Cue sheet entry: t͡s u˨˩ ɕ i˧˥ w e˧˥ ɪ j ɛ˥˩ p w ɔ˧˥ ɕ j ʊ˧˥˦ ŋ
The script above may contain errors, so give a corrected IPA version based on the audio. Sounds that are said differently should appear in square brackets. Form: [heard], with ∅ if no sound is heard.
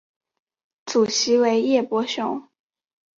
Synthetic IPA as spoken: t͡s u˨˩ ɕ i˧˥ w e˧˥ ɪ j ɛ˥˩ p w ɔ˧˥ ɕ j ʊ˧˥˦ ŋ

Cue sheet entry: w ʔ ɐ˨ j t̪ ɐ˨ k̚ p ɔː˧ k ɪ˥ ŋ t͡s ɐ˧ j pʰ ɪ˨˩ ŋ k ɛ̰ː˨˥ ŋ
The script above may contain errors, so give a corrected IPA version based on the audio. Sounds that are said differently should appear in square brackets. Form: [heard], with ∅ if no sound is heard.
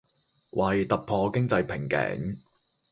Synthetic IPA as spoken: w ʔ ɐ˨ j t̪ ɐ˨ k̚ [pʰ] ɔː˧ k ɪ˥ ŋ t͡s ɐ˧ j pʰ ɪ˨˩ ŋ k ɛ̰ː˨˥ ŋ

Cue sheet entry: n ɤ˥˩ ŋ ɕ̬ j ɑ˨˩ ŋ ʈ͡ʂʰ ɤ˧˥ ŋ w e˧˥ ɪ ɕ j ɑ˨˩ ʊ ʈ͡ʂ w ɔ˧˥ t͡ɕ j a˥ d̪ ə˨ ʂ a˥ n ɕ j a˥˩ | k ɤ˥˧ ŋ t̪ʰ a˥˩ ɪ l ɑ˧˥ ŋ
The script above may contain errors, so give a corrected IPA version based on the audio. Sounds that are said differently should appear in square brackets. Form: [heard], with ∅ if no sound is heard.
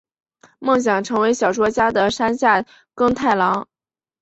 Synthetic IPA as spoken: [m] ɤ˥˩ ŋ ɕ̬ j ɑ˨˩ ŋ ʈ͡ʂʰ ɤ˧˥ ŋ w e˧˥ ɪ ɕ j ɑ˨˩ ʊ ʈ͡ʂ w [ɔ˥] t͡ɕ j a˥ d̪ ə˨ ʂ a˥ n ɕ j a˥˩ | k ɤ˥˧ ŋ t̪ʰ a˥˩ ɪ l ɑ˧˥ ŋ

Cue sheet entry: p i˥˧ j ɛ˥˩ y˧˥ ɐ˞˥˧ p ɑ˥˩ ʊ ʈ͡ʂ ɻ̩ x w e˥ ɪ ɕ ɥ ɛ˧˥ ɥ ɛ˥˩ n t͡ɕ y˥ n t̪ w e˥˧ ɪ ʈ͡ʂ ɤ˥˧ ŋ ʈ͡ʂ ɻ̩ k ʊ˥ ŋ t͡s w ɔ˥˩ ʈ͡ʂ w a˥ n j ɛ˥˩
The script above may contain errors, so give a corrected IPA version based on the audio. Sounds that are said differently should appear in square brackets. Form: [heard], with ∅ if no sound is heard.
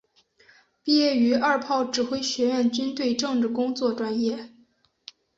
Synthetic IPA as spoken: p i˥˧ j ɛ˥˩ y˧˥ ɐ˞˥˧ [pʰ] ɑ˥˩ ʊ ʈ͡ʂ ɻ̩ x w e˥ ɪ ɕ ɥ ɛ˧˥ ɥ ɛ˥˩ n t͡ɕ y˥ n t̪ w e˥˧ ɪ ʈ͡ʂ ɤ˥˧ ŋ ʈ͡ʂ ɻ̩ k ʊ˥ ŋ t͡s w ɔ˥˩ ʈ͡ʂ w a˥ n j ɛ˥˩

